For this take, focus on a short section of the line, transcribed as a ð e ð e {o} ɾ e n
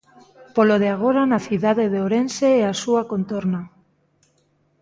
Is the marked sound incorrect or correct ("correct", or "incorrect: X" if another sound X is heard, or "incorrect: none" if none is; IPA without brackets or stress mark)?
correct